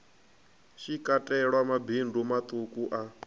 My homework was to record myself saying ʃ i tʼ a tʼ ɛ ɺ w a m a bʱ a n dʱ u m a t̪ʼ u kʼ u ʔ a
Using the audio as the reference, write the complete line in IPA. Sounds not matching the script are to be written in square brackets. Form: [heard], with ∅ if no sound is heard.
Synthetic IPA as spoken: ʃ i [kʼ] a tʼ ɛ ɺ w a m a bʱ [i] n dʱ u m a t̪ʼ u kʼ u ʔ a